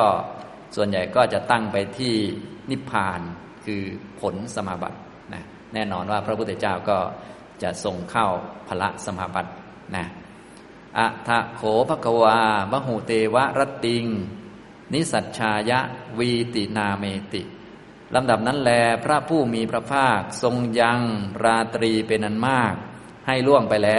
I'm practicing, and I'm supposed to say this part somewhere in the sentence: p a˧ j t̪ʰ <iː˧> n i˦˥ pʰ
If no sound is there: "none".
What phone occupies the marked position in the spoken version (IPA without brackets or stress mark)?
iː˥˩